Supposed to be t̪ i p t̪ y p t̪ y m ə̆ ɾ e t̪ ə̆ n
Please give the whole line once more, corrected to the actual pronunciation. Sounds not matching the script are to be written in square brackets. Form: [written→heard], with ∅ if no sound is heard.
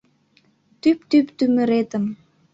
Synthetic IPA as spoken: t̪ [i→y] p t̪ y p t̪ y m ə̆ ɾ e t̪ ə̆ [n→m]